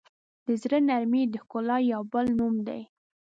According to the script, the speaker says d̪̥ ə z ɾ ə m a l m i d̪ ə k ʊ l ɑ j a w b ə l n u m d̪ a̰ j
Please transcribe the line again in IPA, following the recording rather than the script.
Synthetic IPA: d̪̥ ə z ɾ ə n a ɾ m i d̪ ə k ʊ l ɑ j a w b ə l n u m d̪ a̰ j